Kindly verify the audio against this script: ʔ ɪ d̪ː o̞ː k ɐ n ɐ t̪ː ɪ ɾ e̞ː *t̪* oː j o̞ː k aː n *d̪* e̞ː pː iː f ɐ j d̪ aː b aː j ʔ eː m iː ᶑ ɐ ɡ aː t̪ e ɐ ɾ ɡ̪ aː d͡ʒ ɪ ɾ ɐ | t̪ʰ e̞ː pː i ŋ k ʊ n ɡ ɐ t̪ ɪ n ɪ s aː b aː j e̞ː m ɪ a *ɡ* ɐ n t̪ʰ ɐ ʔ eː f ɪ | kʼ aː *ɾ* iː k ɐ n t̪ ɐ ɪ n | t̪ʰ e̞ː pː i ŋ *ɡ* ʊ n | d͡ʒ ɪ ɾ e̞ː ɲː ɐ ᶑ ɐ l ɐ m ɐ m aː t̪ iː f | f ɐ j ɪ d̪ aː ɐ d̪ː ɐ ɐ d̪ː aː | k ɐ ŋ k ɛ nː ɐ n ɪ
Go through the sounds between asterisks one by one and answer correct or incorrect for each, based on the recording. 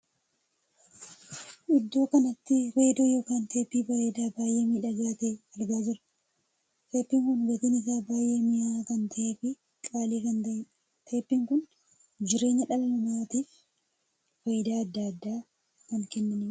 incorrect, incorrect, incorrect, incorrect, incorrect

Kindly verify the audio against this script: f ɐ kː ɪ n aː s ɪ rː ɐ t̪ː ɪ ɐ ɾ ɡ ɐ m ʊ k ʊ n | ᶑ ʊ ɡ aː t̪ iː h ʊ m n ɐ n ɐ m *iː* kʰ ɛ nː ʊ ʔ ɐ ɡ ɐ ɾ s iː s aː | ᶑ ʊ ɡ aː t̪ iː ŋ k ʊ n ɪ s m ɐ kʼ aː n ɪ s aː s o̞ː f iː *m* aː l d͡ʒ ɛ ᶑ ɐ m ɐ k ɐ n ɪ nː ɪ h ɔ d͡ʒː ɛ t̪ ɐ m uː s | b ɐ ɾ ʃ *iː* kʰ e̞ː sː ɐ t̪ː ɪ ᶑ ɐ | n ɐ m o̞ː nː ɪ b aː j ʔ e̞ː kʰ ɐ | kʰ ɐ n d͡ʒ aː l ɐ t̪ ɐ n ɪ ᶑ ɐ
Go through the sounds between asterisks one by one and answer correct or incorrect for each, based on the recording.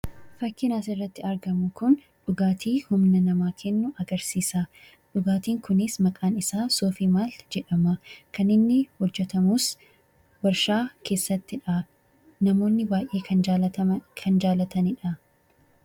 incorrect, correct, incorrect

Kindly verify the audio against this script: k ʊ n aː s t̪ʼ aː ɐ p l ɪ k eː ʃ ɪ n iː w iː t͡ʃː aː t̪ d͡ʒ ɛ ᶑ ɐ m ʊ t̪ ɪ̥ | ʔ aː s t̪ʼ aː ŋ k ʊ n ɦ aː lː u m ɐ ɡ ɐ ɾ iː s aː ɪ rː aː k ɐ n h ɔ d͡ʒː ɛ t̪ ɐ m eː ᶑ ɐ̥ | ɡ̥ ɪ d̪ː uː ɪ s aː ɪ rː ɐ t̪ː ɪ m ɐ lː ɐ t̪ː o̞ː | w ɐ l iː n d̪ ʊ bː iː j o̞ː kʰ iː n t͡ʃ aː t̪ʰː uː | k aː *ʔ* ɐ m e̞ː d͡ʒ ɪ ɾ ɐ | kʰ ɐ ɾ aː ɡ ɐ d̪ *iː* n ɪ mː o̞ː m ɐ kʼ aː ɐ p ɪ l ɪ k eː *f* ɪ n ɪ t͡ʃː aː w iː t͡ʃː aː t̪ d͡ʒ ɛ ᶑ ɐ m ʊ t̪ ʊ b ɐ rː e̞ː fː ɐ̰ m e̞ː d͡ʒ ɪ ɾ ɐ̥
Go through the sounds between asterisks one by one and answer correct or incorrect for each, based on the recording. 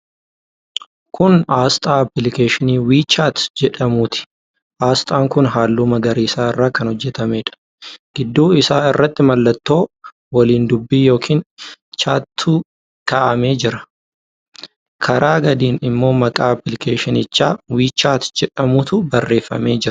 correct, correct, incorrect

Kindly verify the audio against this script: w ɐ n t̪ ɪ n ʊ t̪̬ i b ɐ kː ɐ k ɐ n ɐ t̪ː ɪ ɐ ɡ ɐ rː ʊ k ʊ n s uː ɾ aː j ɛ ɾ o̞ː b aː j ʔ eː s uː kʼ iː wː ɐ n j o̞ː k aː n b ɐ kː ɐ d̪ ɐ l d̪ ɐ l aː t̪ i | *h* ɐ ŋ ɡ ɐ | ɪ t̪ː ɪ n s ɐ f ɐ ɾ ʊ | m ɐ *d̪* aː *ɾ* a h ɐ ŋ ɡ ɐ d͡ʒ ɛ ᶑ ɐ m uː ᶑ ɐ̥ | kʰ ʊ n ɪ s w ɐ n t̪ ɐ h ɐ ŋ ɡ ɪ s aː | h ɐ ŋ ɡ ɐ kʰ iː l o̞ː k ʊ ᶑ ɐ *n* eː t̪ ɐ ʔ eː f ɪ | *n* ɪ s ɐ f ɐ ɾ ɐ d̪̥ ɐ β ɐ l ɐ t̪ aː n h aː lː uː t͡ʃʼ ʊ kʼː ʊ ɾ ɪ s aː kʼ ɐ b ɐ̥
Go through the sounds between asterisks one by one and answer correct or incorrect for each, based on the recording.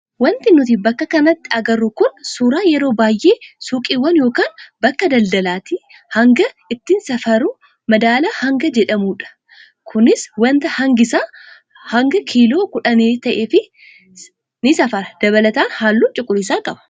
correct, correct, incorrect, correct, correct

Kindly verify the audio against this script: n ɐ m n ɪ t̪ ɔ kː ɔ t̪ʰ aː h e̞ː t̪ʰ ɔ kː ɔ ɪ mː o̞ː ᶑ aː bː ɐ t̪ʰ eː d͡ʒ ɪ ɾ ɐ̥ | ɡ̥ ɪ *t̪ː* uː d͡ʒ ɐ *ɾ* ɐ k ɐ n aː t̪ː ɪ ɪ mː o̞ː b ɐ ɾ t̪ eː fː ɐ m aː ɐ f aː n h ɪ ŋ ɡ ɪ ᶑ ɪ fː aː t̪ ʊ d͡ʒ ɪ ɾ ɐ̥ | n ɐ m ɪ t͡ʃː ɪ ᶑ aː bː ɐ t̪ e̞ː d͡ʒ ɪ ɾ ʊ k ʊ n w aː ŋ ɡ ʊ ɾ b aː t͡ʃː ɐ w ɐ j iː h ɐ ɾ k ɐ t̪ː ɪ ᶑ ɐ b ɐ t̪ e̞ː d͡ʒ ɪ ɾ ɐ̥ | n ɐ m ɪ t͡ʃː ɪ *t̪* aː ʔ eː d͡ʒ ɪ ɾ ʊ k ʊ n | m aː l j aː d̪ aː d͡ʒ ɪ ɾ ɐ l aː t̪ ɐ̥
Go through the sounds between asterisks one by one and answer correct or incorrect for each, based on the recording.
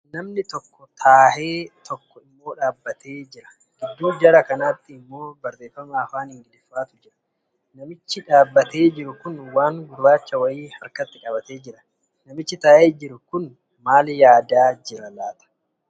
incorrect, correct, correct

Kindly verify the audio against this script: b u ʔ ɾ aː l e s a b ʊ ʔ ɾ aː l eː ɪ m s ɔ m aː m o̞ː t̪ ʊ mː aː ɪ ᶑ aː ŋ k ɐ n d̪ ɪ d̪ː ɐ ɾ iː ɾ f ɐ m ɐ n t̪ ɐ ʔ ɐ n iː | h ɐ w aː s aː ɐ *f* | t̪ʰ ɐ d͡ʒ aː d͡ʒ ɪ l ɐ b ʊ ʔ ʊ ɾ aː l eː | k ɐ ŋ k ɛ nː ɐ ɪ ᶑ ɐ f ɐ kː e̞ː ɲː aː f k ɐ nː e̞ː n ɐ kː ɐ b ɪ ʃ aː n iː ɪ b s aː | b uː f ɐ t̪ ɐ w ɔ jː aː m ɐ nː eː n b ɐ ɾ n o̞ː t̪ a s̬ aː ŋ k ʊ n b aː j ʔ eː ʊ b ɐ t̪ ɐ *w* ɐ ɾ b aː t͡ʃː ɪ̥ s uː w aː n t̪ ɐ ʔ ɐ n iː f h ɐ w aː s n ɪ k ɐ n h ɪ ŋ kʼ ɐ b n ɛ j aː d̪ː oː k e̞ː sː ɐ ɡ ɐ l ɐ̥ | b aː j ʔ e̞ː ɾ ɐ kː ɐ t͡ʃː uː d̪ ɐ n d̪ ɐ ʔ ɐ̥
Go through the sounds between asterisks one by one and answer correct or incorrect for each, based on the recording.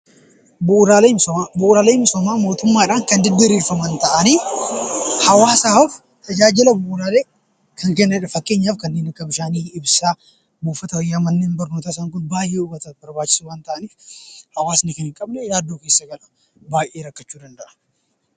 correct, incorrect

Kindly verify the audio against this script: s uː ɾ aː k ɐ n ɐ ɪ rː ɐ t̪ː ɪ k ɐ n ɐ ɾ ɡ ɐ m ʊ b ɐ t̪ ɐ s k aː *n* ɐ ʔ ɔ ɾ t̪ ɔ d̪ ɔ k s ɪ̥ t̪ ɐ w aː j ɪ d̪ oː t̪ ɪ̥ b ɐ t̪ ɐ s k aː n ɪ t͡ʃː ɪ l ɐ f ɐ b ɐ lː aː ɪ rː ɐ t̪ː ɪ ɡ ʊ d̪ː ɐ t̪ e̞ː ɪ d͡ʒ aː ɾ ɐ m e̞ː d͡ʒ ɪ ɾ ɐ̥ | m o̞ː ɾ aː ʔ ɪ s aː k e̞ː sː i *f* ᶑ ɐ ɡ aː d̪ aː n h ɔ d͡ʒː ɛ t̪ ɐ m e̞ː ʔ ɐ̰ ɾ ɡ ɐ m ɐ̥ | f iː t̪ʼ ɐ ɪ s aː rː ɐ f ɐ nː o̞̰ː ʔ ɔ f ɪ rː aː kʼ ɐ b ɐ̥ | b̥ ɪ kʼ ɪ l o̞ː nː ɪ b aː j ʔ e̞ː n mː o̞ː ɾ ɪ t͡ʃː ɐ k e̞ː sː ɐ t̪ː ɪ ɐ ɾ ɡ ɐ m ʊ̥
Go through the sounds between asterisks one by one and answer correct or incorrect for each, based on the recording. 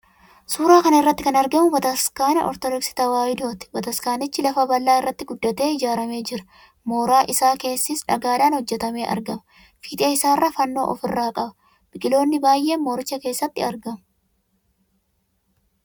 correct, incorrect

